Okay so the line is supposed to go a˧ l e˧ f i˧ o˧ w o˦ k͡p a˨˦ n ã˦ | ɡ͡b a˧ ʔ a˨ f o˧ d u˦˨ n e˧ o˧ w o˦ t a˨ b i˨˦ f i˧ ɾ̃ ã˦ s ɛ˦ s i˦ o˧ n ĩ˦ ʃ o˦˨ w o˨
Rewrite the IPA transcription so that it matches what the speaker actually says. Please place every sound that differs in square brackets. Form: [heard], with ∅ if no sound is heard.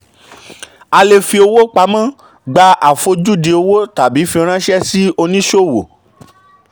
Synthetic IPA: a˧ l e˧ f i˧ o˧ w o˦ k͡p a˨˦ [m] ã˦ | ɡ͡b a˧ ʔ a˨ f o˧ [d͡ʒ] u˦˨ [d] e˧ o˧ w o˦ t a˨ b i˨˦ f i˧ ɾ̃ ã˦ [ʃ] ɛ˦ s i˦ o˧ n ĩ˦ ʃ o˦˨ w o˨